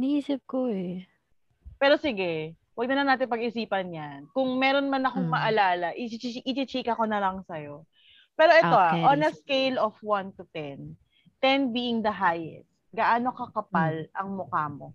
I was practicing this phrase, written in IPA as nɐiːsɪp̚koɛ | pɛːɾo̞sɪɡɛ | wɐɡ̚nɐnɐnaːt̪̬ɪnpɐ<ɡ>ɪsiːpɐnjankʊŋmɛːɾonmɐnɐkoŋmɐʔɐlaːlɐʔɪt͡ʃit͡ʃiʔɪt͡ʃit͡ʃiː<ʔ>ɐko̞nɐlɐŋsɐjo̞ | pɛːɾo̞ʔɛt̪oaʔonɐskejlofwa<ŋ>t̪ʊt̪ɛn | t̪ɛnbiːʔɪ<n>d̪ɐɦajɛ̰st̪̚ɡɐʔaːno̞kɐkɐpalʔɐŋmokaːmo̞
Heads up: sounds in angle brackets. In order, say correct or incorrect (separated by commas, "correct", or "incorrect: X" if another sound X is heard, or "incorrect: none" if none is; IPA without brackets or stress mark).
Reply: correct, incorrect: k, incorrect: n, incorrect: ŋ